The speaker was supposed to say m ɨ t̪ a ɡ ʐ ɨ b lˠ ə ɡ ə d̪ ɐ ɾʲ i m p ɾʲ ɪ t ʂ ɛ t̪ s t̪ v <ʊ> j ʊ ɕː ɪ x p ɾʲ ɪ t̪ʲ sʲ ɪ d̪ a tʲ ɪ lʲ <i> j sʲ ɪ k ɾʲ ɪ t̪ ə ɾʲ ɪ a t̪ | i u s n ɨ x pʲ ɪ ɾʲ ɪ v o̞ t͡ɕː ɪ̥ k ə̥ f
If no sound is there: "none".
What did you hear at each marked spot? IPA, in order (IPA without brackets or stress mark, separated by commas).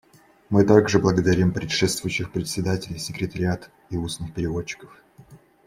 ʊ, ɪ